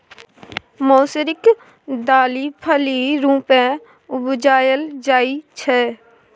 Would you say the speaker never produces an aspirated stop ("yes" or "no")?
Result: no